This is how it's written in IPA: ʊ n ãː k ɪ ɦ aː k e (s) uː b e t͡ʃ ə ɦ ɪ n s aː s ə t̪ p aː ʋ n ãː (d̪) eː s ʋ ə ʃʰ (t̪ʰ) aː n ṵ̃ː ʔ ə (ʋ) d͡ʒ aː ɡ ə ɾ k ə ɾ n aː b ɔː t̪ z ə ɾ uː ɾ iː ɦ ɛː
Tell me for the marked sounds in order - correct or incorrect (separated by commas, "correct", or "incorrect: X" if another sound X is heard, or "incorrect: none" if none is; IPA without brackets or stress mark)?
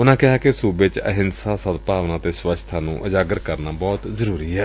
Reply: correct, incorrect: t̪, correct, incorrect: none